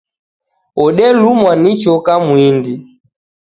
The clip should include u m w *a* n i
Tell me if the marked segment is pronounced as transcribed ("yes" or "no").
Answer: yes